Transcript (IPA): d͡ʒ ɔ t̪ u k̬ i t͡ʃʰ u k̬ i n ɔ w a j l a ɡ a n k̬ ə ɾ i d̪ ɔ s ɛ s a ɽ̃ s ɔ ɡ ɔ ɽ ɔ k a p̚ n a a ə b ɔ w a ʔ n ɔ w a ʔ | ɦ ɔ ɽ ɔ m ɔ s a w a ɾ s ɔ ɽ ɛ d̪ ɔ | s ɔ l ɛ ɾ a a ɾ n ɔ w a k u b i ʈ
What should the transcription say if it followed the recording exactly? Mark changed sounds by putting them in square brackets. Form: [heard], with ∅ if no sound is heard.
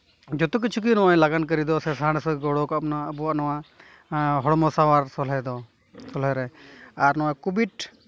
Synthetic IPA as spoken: d͡ʒ ɔ t̪ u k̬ i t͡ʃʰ u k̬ i n ɔ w a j l a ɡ a n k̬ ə ɾ i d̪ ɔ s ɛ s a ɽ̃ s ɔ ɡ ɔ ɽ ɔ k a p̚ n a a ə b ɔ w a ʔ n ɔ w a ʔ | ɦ ɔ ɽ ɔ m ɔ s a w a ɾ s ɔ [l] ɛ d̪ ɔ | s ɔ l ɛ ɾ [ɛ] a ɾ n ɔ w a k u b i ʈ